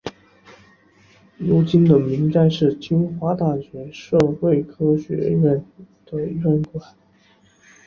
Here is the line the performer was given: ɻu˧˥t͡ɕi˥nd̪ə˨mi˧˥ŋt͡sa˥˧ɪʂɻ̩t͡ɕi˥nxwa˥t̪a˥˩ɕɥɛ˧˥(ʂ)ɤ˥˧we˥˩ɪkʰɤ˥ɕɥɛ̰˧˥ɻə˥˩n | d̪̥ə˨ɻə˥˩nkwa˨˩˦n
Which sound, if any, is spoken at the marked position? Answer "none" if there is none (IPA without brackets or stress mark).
ʂ